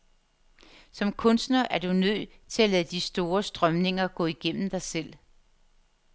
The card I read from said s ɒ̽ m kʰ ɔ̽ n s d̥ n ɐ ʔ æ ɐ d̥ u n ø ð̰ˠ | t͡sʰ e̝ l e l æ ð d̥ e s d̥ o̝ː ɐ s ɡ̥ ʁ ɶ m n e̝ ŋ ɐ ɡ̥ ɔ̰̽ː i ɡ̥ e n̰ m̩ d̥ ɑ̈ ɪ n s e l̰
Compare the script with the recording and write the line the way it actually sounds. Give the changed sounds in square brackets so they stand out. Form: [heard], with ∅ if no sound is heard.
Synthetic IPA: s ɒ̽ m kʰ ɔ̽ n s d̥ n ɐ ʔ æ ɐ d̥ u n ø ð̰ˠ | t͡sʰ e̝ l [æ] l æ ð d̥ [i] s d̥ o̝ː ɐ s [d̥] ʁ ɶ m n e̝ ŋ ɐ ɡ̥ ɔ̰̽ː i ɡ̥ e n̰ m̩ d̥ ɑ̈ ɪ [∅] s e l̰